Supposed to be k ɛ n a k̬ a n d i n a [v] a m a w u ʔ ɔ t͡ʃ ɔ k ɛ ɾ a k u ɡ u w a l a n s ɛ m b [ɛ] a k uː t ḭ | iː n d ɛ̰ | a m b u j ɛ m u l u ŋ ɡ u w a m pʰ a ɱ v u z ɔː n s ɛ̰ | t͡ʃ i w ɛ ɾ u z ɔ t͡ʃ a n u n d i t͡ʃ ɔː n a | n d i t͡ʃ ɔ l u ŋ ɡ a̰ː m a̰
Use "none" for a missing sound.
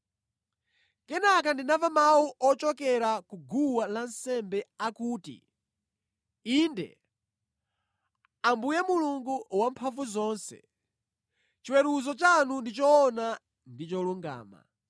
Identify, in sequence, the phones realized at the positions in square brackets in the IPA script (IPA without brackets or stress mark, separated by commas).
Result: v, ɛ